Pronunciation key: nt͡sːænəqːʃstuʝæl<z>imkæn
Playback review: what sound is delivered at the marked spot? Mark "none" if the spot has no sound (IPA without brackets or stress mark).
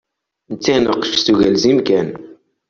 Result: z